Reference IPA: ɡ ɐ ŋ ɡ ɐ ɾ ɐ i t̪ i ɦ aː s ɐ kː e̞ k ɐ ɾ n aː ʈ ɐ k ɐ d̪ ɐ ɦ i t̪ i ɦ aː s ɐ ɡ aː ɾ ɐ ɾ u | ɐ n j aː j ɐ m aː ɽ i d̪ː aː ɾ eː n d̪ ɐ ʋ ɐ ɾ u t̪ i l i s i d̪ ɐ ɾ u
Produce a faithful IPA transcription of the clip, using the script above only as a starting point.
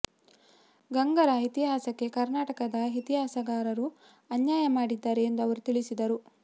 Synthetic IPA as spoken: ɡ ɐ ŋ ɡ ɐ ɾ ɐ i t̪ i ɦ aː s ɐ kː e̞ k ɐ ɾ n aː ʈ ɐ k ɐ d̪ ɐ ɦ i t̪ i ɦ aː s ɐ ɡ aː ɾ ɐ ɾ u | ɐ n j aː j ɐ m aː ɽ i d̪ː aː ɾ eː n d̪ ɐ ʋ ɐ ɾ u t̪ i ɭ i s i d̪ ɐ ɾ u

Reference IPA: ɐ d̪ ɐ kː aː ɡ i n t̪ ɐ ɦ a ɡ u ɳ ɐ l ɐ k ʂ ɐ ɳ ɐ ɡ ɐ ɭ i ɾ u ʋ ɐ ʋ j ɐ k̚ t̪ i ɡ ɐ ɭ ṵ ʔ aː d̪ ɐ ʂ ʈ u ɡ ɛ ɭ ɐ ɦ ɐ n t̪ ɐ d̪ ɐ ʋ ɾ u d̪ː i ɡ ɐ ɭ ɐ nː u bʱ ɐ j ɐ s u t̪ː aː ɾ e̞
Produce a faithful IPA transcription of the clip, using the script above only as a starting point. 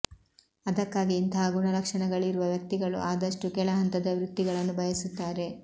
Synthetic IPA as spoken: ɐ d̪ ɐ kː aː ɡ iː n t̪ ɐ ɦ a ɡ u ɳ ɐ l ɐ k ʂ ɐ ɳ ɐ ɡ ɐ ɭ i ɾ u ʋ ɐ ʋ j ɐ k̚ t̪ i ɡ ɐ ɭ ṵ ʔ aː d̪ ɐ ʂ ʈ u k ɛ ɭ ɐ ɦ ɐ n t̪ ɐ d̪ ɐ ʋ ɾ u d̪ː i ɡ ɐ ɭ ɐ nː u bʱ ɐ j ɐ s u t̪ː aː ɾ e̞

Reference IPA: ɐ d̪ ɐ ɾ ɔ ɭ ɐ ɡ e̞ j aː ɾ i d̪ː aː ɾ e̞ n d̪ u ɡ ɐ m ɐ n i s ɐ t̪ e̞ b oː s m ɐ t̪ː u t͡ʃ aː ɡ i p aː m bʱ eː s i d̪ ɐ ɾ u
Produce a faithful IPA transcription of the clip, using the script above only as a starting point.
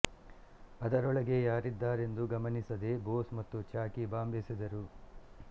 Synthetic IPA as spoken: ɐ d̪ ɐ ɾ ɔ ɭ ɐ ɡ e̞ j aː ɾ i d̪ː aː ɾ e̞ n d̪ u ɡ ɐ m ɐ n i s ɐ d̪ e̞ b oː s m ɐ t̪ː u t͡ʃ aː k i b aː m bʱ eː s i d̪ ɐ ɾ u

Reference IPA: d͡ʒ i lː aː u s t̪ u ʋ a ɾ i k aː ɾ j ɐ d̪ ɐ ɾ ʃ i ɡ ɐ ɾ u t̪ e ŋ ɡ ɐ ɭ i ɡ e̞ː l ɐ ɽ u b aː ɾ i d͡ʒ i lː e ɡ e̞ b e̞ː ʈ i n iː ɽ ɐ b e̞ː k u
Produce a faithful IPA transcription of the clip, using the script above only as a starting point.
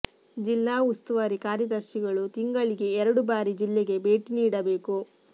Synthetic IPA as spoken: d͡ʒ i lː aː u s t̪ u ʋ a ɾ i k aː ɾ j ɐ d̪ ɐ ɾ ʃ i ɡ ɐ ɭ u t̪ i ŋ ɡ ɐ ɭ i ɡ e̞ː ɾ ɐ ɽ u b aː ɾ i d͡ʒ i lː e ɡ e̞ b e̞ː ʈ i n iː ɽ ɐ b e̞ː k u

